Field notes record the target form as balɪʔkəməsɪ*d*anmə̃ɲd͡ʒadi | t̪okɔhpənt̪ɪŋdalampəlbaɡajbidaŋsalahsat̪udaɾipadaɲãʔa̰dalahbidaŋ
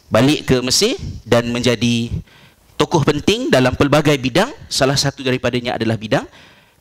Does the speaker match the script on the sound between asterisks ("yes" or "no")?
yes